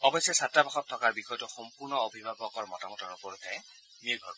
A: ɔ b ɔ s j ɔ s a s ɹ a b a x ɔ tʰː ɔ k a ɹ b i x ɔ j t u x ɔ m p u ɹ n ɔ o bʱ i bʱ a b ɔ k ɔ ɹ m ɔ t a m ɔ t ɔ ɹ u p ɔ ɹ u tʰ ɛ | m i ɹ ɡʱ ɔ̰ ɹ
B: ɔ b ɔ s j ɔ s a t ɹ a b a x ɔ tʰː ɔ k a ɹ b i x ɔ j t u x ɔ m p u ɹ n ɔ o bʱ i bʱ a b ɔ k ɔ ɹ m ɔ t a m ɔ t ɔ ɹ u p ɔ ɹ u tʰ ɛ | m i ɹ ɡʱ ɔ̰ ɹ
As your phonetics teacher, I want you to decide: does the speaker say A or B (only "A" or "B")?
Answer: B